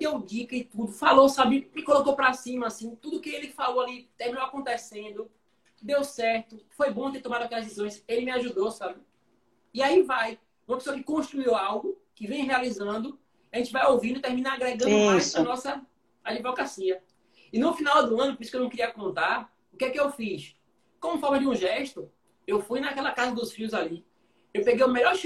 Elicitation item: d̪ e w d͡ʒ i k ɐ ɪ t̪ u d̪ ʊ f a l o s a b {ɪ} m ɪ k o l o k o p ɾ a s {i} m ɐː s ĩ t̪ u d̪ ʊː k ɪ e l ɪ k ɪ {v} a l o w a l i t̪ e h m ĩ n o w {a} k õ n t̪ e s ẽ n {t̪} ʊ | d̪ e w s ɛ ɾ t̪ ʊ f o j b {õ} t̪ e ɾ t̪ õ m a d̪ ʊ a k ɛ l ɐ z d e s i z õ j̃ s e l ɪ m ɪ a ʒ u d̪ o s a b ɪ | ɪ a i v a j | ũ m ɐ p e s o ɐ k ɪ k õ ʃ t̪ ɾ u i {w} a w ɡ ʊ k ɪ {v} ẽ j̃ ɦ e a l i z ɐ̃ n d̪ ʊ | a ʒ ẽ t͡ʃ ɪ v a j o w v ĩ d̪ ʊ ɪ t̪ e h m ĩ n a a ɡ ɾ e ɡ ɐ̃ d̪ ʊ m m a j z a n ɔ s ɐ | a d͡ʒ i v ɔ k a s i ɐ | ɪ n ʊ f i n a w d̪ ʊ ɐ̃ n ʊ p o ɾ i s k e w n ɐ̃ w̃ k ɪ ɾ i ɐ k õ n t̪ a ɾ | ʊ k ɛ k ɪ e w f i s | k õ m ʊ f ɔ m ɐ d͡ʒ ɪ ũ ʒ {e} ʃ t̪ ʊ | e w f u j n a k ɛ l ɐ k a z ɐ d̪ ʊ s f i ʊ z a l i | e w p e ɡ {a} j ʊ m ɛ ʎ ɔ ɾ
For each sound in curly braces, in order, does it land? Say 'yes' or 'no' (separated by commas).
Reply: yes, no, no, yes, no, yes, yes, yes, no, no